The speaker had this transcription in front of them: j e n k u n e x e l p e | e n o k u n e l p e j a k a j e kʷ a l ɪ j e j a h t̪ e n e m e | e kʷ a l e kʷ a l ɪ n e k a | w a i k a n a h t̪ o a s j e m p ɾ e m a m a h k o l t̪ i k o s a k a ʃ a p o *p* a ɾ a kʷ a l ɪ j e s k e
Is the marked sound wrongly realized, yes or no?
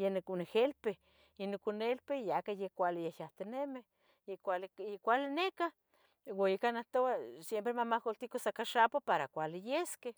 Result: no